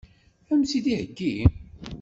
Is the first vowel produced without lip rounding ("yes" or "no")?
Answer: yes